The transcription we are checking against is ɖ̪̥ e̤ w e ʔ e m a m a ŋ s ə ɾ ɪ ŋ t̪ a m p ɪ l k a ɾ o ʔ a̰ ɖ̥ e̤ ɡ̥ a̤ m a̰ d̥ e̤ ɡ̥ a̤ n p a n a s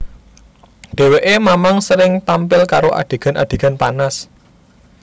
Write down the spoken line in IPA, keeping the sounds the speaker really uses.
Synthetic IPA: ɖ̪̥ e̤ w e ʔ e m a m a ŋ s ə ɾ ɪ ŋ t̪ a m p ɪ l k a ɾ o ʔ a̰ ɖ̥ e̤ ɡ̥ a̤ n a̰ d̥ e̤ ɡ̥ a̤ n p a n a s